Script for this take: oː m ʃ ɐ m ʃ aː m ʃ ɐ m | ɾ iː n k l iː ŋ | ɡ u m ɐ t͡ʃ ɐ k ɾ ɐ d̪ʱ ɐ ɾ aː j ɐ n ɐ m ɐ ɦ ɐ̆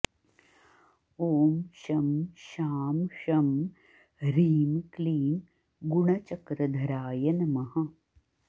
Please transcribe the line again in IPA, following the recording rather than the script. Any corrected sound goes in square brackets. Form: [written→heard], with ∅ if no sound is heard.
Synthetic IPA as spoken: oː m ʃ ɐ m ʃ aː m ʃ ɐ m | ɾ iː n k l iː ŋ | ɡ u [m→ɳ] ɐ t͡ʃ ɐ k ɾ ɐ d̪ʱ ɐ ɾ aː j ɐ n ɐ m ɐ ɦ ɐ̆